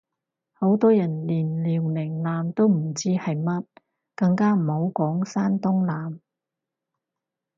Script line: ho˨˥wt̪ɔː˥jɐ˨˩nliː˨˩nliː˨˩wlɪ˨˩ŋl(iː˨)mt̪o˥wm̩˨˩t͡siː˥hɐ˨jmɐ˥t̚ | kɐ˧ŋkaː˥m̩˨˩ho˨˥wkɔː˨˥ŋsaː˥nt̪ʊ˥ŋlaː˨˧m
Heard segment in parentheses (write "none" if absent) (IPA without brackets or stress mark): aː˨